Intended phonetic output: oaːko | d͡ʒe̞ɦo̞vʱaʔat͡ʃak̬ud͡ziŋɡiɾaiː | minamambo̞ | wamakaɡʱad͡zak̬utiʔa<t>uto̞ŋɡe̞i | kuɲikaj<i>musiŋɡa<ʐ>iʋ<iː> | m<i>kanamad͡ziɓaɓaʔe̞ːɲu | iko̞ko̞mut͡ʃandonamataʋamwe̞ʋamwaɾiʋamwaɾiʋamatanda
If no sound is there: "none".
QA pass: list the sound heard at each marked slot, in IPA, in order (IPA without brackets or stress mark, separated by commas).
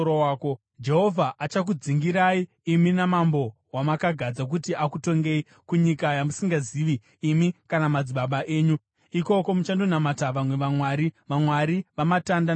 k, a, z, iː, i